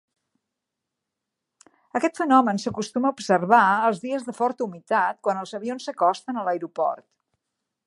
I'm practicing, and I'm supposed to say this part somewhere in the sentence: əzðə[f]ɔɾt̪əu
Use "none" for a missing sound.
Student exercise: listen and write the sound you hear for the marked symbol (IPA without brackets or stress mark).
f